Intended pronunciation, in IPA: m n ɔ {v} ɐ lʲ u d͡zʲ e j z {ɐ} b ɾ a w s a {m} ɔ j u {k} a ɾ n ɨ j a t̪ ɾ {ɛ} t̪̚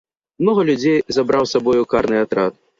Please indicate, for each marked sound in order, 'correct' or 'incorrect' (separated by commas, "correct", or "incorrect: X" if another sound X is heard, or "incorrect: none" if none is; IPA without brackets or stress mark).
incorrect: ɣ, incorrect: a, incorrect: b, correct, incorrect: a